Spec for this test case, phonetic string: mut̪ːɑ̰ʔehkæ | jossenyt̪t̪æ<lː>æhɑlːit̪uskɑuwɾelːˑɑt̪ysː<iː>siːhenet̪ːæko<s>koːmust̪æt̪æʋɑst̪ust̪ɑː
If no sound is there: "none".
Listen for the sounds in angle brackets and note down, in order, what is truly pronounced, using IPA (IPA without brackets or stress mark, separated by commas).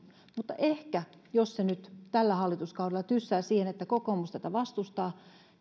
lː, æː, none